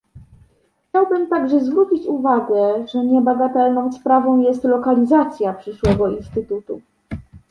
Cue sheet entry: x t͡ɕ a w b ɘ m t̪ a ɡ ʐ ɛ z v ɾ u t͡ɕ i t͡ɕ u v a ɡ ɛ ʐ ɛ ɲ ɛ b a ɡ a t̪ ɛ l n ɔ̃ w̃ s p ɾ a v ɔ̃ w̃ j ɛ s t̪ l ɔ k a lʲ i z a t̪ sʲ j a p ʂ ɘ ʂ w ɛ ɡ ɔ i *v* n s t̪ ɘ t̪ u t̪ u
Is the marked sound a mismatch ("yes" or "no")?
yes